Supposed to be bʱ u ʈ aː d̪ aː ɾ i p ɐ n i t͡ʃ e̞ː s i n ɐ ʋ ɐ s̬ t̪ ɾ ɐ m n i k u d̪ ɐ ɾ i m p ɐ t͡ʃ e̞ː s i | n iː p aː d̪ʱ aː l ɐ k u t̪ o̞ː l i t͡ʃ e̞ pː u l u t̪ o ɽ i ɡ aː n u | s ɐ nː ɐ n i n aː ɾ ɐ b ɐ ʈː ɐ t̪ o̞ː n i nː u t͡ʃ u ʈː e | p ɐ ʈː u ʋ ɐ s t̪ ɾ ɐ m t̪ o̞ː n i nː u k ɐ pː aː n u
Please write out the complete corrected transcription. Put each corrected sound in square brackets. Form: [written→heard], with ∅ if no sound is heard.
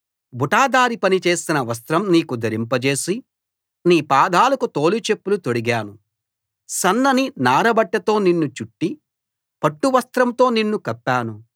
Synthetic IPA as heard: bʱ u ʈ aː d̪ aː ɾ i p ɐ n i t͡ʃ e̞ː s i n ɐ ʋ ɐ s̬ t̪ ɾ ɐ m n [i→iː] k u d̪ ɐ ɾ i m p ɐ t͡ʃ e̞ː s i | n iː p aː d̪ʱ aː l ɐ k u t̪ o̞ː l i t͡ʃ e̞ pː u l u t̪ o ɽ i ɡ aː n u | s ɐ nː ɐ n i n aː ɾ ɐ b ɐ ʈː ɐ t̪ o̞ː n i nː u t͡ʃ u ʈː [e→i] | p ɐ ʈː u ʋ ɐ s t̪ ɾ ɐ m t̪ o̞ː n i nː u k ɐ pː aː n u